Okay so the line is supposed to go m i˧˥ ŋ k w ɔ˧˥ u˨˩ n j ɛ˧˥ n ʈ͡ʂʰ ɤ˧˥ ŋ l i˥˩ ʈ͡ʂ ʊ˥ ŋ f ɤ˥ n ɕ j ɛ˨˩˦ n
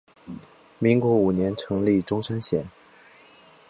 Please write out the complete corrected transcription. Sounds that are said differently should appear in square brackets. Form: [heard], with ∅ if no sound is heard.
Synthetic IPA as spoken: m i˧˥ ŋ k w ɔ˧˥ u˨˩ n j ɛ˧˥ n ʈ͡ʂʰ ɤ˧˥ ŋ l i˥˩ ʈ͡ʂ ʊ˥ ŋ [ʂ] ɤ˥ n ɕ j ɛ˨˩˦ n